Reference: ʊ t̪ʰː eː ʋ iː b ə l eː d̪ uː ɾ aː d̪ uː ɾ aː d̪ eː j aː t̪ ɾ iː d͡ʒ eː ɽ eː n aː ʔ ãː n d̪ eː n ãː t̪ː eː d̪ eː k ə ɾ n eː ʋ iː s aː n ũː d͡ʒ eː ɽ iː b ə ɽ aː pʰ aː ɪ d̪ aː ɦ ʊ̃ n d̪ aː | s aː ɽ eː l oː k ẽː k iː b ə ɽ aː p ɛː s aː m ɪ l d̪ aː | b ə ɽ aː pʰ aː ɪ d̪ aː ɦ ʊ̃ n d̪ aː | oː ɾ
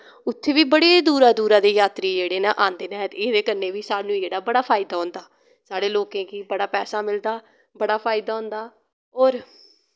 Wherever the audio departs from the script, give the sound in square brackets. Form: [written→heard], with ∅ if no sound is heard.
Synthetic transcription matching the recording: ʊ t̪ʰː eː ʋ iː b ə [l→ɽ] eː d̪ uː ɾ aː d̪ uː ɾ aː d̪ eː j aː t̪ ɾ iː d͡ʒ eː ɽ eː n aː ʔ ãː n d̪ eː n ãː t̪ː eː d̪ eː k ə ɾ n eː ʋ iː s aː n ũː d͡ʒ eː ɽ [iː→aː] b ə ɽ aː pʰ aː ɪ d̪ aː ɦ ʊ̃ n d̪ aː | s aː ɽ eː l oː k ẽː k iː b ə ɽ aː p ɛː s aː m ɪ l d̪ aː | b ə ɽ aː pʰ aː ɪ d̪ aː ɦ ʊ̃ n d̪ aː | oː ɾ